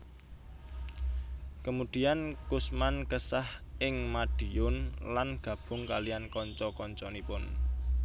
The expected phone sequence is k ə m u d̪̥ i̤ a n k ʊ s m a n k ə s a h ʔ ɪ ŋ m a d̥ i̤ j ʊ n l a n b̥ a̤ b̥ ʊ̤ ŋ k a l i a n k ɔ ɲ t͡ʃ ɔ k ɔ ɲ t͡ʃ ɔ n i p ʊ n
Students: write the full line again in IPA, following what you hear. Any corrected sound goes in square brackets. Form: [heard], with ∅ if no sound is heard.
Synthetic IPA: k ə m u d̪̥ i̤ a n k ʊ s m a n k ə s a h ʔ ɪ ŋ m a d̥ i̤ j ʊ n l a n [ɡ̥] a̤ b̥ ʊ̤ ŋ k a l i a n k ɔ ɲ t͡ʃ ɔ k ɔ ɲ t͡ʃ ɔ n i p ʊ n